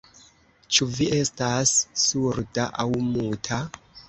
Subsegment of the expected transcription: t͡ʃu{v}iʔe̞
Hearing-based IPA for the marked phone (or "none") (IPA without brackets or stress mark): v